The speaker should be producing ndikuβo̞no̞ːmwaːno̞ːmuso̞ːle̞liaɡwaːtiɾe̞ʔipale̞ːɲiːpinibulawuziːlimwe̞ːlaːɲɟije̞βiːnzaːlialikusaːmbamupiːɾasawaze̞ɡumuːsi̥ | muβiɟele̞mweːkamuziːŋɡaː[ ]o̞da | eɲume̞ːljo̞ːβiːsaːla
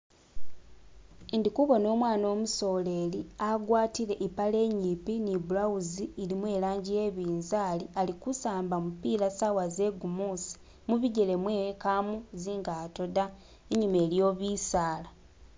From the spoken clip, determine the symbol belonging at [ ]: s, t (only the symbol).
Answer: t